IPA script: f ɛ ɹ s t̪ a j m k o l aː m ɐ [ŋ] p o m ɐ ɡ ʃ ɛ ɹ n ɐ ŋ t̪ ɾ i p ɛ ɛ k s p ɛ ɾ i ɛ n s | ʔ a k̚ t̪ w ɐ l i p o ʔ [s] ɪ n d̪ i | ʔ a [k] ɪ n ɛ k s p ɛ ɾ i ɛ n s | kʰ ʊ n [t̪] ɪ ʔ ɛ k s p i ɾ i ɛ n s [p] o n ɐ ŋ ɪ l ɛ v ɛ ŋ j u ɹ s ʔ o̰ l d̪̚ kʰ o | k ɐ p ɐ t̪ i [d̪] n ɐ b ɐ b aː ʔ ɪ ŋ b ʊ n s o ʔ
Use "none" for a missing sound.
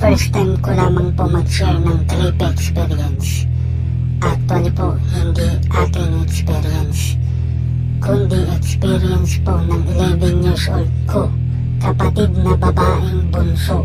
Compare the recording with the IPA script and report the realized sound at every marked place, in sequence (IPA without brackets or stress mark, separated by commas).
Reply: ŋ, h, k, d̪, p, d̪